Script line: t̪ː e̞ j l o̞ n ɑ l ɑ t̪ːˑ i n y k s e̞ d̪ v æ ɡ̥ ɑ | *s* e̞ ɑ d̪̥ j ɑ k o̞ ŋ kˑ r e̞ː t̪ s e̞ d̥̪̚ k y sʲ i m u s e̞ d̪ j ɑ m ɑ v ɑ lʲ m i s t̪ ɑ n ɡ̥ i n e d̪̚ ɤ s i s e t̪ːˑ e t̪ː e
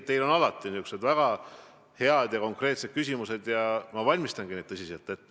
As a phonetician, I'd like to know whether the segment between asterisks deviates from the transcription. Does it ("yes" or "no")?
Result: yes